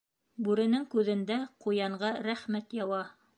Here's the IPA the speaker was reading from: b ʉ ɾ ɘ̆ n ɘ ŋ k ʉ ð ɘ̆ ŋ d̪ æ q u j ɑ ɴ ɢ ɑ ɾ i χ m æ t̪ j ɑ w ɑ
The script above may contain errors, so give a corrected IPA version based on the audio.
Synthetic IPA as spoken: b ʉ ɾ ɘ̆ n ɘ ŋ k ʉ ð ɘ̆ n d̪ æ q u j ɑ ɴ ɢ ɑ ɾ æ χ m æ t̪ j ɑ w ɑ